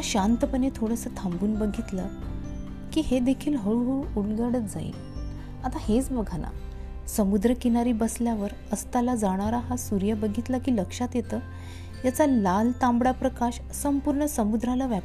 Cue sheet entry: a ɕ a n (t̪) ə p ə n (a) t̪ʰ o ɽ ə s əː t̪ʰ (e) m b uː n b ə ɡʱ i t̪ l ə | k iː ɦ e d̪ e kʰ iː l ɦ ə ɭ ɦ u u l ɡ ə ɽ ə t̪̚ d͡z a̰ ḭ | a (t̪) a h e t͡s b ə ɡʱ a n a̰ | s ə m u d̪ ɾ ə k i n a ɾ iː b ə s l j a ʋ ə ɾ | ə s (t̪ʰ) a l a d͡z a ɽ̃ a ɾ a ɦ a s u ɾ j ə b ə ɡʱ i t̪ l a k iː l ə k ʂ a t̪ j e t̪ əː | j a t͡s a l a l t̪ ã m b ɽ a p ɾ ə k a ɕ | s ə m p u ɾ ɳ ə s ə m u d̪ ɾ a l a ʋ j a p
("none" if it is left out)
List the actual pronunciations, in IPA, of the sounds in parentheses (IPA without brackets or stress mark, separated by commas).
t̪, e, a, t̪, t̪